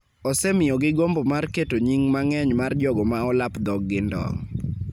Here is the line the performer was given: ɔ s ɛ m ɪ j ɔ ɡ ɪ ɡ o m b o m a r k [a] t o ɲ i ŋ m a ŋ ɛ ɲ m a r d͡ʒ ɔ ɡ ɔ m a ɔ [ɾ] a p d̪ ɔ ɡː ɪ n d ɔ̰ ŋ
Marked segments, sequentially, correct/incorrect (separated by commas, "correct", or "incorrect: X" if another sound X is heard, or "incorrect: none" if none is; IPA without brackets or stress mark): incorrect: e, incorrect: l